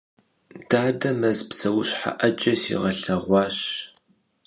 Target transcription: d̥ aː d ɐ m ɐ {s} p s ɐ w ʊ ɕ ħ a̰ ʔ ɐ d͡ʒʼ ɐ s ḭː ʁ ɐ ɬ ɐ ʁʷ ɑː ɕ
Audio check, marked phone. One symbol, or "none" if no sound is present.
z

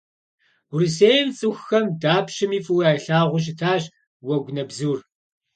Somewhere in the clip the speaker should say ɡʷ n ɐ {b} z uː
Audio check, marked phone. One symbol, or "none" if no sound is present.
b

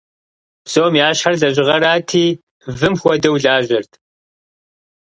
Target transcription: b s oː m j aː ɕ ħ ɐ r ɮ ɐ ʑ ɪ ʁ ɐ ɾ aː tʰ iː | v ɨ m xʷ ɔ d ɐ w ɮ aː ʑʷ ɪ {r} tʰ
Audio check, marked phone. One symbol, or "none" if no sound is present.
r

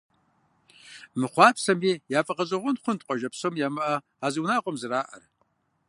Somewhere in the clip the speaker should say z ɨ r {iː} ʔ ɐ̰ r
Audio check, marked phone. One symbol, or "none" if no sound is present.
aː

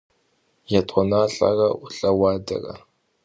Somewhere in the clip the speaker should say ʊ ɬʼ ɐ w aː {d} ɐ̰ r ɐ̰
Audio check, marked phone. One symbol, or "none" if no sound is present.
d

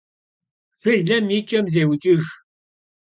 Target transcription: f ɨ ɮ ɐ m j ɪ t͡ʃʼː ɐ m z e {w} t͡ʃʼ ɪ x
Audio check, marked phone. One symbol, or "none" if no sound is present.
w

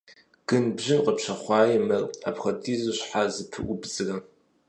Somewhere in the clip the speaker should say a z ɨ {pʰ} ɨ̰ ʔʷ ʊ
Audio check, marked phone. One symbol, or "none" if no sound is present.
pʰ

